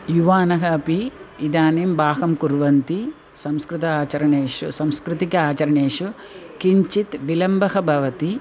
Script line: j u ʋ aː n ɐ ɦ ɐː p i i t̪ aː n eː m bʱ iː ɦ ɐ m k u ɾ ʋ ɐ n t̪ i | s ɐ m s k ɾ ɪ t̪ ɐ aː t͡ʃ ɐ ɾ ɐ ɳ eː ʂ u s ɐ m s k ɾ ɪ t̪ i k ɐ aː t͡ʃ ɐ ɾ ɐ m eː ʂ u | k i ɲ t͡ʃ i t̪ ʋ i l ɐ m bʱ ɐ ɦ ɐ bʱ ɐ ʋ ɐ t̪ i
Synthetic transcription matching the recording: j u ʋ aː n ɐ ɦ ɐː p i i d̪ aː n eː m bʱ aː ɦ ɐ m k u ɾ ʋ ɐ n t̪ i | s ɐ m s k ɾ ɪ t̪ ɐ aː t͡ʃ ɐ ɾ ɐ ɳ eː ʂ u s ɐ m s k ɾ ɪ t̪ i k ɐ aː t͡ʃ ɐ ɾ ɐ ɳ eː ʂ u | k i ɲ t͡ʃ i t̪ ʋ i l ɐ m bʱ ɐ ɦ ɐ bʱ ɐ ʋ ɐ t̪ i